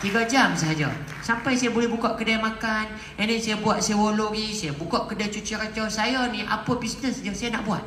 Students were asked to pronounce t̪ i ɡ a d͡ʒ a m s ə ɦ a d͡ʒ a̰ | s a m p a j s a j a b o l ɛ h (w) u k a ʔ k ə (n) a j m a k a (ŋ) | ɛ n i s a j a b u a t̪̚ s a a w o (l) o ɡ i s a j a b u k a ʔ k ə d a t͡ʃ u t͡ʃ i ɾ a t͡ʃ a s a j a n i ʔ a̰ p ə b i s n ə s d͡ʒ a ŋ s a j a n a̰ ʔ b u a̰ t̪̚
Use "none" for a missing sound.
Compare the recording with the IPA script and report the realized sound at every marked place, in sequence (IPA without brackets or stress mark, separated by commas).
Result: b, d, n, l